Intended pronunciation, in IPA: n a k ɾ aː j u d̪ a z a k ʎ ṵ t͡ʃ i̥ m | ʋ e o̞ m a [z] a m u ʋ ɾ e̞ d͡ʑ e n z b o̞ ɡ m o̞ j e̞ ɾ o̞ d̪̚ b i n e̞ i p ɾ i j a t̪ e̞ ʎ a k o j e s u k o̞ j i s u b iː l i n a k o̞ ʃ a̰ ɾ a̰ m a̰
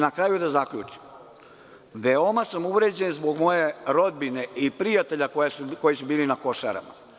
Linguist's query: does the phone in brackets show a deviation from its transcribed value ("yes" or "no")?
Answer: yes